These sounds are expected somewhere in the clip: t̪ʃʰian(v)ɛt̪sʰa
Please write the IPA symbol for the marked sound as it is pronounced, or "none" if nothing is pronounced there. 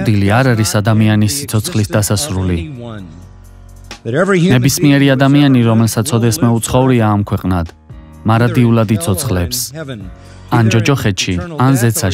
z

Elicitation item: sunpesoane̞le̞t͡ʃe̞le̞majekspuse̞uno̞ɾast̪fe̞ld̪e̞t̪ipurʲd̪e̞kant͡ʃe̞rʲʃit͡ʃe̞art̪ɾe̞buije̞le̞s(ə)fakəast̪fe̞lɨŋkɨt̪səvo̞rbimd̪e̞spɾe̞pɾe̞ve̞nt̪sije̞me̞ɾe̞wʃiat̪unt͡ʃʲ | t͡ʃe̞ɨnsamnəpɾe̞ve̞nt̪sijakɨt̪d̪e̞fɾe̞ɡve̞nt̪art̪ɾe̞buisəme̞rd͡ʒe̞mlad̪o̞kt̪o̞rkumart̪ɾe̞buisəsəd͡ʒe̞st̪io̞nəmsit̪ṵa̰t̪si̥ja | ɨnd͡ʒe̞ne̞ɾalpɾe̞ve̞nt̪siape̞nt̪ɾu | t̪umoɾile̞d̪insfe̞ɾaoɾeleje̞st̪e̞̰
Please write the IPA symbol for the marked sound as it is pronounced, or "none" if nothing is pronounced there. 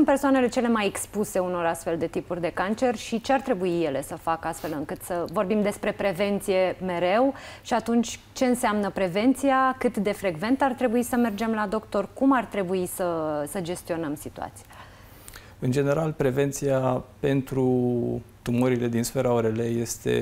ə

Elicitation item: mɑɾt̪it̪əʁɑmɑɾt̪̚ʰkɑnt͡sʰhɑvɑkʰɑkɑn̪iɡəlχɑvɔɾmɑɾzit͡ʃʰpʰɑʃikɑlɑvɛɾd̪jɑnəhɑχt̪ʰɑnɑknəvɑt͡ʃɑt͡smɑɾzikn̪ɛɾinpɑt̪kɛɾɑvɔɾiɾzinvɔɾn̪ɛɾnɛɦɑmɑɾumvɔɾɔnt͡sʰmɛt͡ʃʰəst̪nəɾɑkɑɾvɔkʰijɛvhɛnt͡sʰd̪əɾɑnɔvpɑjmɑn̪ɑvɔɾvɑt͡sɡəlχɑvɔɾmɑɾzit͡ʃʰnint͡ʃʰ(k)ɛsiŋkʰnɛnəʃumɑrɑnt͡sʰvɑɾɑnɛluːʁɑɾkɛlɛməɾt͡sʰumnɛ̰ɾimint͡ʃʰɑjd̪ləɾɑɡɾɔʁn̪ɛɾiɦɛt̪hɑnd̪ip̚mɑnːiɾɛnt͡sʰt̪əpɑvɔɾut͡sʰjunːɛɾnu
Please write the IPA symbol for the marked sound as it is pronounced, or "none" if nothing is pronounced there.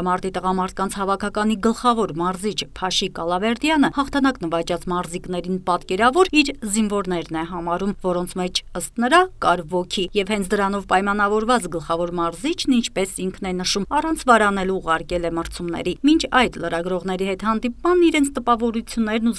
p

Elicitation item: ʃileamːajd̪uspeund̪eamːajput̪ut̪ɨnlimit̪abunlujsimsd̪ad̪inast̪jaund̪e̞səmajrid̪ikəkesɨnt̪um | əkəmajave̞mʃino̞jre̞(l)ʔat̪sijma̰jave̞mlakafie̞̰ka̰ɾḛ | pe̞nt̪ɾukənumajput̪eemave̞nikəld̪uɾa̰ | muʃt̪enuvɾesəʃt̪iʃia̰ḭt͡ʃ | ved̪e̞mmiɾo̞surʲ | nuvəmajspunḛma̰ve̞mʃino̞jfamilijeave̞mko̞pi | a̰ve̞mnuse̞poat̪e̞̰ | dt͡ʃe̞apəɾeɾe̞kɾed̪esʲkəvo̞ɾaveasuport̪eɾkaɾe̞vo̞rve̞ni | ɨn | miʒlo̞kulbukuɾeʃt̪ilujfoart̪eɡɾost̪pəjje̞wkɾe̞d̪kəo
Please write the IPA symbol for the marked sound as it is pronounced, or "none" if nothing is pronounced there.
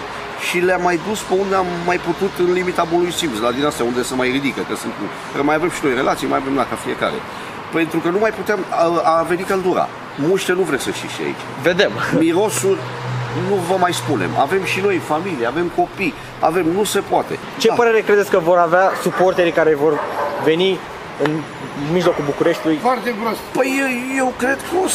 l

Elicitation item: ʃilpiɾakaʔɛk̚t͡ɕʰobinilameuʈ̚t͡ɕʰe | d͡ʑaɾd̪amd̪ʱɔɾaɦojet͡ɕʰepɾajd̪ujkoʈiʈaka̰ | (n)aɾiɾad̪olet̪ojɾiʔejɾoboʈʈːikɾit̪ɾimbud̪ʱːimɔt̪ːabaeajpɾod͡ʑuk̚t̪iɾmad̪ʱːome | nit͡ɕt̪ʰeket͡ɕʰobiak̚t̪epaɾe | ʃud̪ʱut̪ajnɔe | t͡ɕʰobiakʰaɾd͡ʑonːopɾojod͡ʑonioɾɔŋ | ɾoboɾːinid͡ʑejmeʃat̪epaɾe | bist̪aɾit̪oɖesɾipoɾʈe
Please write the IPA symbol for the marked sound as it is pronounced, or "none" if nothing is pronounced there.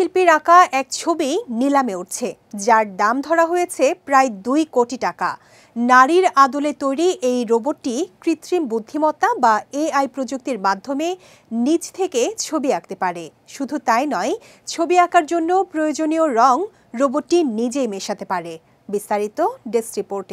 n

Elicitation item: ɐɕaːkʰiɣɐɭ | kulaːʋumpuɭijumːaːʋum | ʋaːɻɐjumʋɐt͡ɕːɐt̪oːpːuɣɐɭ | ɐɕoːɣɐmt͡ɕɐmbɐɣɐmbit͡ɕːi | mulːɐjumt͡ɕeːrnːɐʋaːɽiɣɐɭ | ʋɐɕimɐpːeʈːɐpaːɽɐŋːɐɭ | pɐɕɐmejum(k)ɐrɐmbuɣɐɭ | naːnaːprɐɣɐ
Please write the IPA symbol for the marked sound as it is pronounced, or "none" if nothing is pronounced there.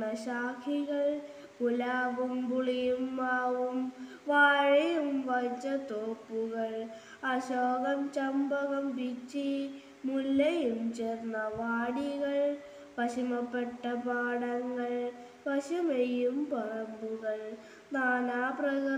p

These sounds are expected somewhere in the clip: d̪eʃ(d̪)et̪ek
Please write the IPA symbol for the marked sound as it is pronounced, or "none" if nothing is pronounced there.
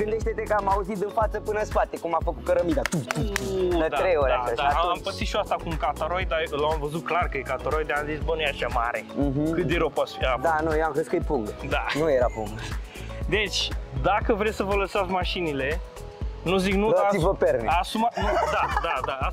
t̪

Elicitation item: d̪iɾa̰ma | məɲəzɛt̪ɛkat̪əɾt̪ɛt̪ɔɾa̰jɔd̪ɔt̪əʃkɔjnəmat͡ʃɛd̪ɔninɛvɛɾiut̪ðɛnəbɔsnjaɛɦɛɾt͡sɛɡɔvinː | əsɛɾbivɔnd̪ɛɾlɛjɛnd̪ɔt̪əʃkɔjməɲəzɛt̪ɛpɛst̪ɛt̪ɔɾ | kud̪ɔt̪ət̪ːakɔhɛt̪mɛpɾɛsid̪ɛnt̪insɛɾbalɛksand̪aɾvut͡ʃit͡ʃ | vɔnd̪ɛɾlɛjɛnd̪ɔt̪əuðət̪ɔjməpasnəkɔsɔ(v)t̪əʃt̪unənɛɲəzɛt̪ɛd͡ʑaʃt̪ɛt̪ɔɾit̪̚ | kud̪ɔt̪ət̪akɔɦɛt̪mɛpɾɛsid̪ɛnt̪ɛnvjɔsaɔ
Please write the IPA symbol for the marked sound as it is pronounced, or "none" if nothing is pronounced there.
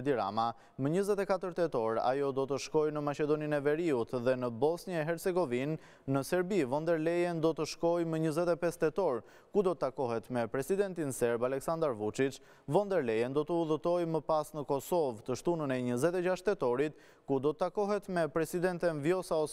v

